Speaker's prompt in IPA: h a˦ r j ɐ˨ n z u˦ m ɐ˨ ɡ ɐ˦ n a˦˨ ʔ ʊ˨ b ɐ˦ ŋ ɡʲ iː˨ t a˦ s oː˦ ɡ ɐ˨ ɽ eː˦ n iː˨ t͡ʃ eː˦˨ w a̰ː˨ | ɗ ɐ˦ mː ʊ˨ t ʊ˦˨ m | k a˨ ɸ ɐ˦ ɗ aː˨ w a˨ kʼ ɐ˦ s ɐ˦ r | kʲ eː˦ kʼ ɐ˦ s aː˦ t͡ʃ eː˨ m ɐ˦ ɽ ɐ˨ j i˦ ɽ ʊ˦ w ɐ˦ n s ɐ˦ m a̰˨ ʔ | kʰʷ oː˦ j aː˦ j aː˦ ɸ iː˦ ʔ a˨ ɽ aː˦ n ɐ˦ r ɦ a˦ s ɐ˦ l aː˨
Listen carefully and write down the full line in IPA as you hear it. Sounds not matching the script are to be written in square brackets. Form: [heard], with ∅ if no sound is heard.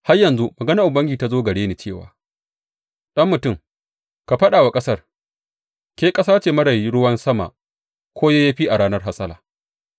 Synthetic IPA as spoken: h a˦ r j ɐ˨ n z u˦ m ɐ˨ ɡ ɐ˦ n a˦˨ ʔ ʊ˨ b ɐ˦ ŋ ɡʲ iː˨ t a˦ [z] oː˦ ɡ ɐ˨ ɽ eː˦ n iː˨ t͡ʃ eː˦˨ w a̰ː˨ | ɗ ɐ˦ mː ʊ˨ t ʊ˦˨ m | k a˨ ɸ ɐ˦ ɗ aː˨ w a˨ kʼ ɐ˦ s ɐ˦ r | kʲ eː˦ kʼ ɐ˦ s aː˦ t͡ʃ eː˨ m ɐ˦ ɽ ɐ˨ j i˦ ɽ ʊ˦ w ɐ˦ n s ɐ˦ m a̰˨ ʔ | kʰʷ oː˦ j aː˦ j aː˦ ɸ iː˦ ʔ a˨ ɽ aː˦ n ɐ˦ r ɦ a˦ s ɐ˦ l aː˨

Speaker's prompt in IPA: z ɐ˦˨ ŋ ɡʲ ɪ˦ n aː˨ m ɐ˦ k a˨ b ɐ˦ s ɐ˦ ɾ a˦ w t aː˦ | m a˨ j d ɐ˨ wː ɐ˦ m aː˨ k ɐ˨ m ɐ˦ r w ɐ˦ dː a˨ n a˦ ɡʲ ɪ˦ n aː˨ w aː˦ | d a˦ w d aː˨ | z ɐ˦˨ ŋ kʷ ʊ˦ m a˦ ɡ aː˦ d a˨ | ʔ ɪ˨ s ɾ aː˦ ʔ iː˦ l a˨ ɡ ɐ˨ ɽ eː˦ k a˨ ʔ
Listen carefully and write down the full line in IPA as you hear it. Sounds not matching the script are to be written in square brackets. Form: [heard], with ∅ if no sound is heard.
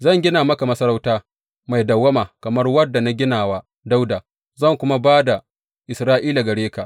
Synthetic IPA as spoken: z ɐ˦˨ ŋ ɡʲ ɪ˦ n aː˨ m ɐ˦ k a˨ [m] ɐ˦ s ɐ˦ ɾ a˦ w t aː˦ | m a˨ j d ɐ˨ wː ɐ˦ m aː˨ k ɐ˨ m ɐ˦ r w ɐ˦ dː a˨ n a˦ ɡʲ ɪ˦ n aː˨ w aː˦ | d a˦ w d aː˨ | z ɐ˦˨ ŋ kʷ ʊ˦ m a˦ [b] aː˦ d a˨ | ʔ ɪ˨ s ɾ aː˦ ʔ iː˦ l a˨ ɡ ɐ˨ ɽ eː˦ k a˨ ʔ

